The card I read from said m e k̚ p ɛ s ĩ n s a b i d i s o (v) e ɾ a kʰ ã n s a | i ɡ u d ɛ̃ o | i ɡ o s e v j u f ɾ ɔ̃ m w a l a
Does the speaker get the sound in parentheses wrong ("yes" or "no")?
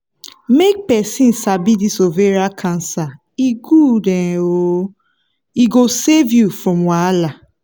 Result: no